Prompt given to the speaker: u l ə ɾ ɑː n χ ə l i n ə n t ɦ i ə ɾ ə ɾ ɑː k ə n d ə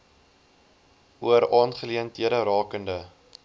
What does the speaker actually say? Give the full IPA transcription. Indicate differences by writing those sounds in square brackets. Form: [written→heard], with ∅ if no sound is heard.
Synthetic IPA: u [l→∅] ə ɾ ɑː n χ ə l i [n→∅] ə n t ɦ i ə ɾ ə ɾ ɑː k ə n d ə